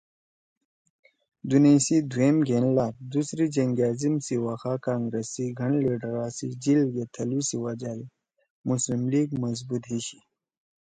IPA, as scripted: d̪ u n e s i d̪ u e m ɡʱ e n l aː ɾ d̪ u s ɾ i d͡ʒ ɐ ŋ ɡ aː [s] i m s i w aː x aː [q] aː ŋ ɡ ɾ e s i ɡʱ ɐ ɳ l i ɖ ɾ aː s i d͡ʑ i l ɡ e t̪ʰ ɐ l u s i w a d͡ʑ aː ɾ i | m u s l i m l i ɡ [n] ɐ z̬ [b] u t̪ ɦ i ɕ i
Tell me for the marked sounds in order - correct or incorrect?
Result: incorrect: z, incorrect: k, incorrect: m, correct

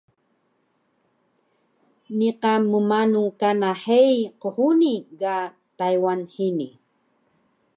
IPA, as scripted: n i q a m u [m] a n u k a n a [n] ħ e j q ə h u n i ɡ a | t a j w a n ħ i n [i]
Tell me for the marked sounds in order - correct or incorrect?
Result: correct, incorrect: none, correct

